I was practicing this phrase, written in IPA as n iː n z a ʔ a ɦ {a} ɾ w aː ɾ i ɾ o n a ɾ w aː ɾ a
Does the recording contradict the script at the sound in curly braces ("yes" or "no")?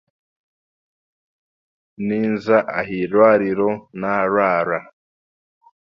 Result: yes